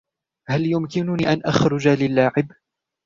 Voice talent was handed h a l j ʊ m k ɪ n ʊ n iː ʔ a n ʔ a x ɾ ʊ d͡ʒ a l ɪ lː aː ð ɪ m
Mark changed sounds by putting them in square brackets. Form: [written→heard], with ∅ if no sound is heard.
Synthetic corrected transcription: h a l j ʊ m k ɪ n ʊ n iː ʔ a n ʔ a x ɾ ʊ d͡ʒ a l ɪ lː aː [ð→ʕ] ɪ [m→b]